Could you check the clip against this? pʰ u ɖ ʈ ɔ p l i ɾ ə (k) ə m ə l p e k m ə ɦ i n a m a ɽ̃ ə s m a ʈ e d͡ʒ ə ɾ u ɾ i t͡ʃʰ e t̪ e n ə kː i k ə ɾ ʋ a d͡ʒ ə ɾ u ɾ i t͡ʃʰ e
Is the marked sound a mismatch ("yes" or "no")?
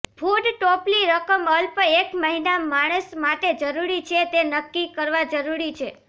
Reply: no